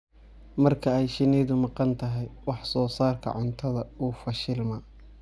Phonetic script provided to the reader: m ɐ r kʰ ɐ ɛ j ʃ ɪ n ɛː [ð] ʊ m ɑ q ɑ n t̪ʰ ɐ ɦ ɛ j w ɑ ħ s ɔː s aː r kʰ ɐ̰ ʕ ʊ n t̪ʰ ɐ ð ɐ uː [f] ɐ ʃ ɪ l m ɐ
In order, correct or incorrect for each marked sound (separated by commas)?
correct, correct